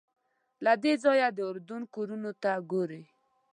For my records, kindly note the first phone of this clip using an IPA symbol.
l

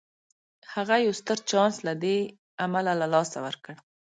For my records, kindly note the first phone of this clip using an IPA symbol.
h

